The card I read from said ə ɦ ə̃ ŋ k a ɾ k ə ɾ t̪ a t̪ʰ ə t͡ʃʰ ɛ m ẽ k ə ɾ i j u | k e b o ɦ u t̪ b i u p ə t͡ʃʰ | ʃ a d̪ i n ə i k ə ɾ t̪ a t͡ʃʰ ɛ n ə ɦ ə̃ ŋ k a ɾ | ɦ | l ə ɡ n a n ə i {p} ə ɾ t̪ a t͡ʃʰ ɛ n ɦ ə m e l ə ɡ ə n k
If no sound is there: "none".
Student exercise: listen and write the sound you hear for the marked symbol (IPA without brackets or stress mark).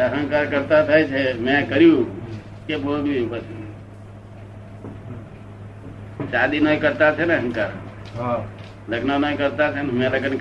k